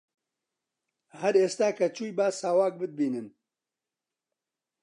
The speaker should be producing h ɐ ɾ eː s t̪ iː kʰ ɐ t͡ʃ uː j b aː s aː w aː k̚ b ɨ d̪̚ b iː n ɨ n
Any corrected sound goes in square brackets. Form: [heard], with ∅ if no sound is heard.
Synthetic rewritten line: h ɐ ɾ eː s t̪ [aː] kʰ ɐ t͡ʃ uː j b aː s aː w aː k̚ b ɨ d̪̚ b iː n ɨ n